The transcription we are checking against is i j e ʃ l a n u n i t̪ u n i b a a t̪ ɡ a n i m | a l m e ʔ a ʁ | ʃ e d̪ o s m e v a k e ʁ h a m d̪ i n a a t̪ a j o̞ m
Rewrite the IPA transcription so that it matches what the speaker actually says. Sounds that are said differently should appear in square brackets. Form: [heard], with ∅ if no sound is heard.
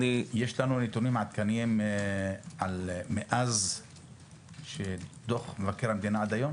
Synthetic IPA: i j e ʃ l a n u n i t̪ u n i [m] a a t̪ [k] a n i m | a l m e ʔ a [z] | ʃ e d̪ o [χ] m e v a k e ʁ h a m d̪ i n a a [d̪] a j o̞ m

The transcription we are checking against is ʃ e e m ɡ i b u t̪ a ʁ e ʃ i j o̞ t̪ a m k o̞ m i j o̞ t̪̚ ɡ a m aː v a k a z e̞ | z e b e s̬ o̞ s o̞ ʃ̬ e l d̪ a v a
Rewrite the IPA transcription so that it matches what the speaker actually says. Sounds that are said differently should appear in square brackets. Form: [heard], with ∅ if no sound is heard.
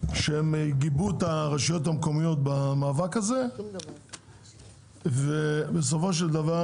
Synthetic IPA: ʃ e e m ɡ i b u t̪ a ʁ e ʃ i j o̞ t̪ a m k o̞ m i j o̞ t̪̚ [b] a m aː v a k a z e̞ | [v] e b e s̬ o̞ [f] o̞ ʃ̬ e l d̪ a v a

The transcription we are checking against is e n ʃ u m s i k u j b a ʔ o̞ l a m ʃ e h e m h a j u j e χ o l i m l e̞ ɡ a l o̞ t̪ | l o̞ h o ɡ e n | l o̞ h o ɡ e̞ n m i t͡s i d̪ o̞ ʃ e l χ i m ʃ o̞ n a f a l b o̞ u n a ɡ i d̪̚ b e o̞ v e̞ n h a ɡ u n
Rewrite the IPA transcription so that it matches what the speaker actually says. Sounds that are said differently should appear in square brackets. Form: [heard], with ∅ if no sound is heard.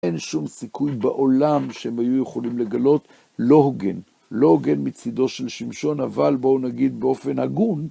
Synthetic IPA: e n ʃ u m s i k u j b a ʔ o̞ l a m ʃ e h e m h a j u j e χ o l i m l e̞ ɡ a l o̞ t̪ | l o̞ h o ɡ e n | l o̞ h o ɡ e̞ n m i t͡s i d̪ o̞ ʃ e l [ʃ] i m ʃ o̞ n a [v] a l b o̞ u n a ɡ i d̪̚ b e o̞ [f] e̞ n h a ɡ u n

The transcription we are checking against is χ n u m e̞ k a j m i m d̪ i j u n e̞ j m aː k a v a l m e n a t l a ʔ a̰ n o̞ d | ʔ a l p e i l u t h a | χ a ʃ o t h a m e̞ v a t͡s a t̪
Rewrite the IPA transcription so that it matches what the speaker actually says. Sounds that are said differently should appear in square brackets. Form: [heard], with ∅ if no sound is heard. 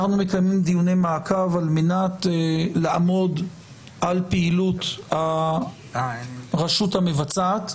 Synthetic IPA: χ n u m e̞ k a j m i m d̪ i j u n e̞ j m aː k a v a l m e n a t l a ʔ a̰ [m] o̞ d | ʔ a l p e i l u t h a | [ʁ] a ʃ [u] t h a m e̞ v a t͡s a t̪

